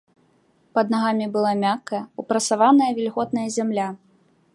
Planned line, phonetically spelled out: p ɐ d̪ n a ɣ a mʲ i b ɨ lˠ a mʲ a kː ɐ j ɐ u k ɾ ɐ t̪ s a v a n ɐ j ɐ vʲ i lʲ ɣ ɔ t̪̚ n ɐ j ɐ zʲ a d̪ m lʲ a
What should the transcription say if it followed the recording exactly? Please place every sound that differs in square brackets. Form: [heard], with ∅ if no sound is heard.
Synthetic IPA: p ɐ d̪ n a ɣ a mʲ i b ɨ lˠ a mʲ a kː ɐ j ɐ u [p] ɾ ɐ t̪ s a v a n ɐ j ɐ vʲ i lʲ ɣ ɔ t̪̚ n ɐ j ɐ zʲ a [∅] m lʲ a